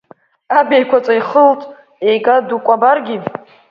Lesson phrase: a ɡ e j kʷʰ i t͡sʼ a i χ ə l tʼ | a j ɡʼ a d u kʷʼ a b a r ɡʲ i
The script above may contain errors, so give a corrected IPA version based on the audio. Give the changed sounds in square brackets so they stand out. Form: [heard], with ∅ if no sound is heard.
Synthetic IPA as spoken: a [b] e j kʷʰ [a] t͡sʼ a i χ ə l tʼ | [e] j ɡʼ a d u kʷʼ a b a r ɡʲ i